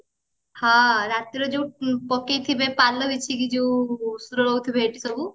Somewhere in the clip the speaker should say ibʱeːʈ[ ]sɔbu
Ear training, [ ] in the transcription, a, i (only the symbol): i